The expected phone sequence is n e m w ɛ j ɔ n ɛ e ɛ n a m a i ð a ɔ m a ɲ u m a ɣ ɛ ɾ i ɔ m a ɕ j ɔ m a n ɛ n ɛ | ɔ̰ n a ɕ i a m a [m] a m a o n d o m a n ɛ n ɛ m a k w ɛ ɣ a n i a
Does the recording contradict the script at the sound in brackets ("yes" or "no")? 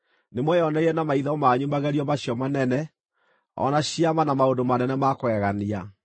yes